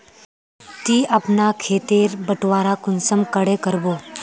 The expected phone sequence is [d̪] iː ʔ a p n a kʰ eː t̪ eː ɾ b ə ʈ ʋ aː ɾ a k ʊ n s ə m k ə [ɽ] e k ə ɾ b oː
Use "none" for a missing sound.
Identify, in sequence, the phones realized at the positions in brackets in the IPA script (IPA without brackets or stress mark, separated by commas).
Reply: t̪, ɽ